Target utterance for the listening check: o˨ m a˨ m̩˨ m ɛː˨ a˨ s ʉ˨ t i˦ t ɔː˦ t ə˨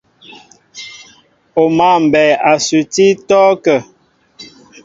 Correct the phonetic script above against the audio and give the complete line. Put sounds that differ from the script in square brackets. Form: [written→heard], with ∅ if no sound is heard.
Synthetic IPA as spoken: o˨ m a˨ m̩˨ [m→b] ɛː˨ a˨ s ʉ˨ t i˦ t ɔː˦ [t→k] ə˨